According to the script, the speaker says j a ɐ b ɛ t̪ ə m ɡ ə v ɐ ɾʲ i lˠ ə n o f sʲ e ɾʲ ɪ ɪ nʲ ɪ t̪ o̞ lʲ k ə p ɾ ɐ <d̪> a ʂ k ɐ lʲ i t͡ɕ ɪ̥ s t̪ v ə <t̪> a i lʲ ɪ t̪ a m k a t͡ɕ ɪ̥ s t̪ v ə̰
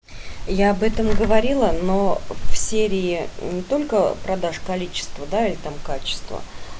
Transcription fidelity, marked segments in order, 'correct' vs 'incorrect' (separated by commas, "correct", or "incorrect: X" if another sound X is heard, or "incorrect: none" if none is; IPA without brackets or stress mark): correct, incorrect: d̪